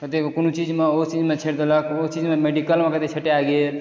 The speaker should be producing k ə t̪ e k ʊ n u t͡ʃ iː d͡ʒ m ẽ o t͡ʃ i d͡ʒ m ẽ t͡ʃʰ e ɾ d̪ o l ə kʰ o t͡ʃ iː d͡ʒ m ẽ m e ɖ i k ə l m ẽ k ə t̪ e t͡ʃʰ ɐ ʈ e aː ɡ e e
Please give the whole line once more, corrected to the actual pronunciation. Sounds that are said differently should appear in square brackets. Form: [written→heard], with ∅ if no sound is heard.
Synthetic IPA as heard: k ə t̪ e k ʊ n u t͡ʃ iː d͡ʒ m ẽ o t͡ʃ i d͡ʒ m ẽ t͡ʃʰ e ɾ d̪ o l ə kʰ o t͡ʃ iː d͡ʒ m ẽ m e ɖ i k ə l m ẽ k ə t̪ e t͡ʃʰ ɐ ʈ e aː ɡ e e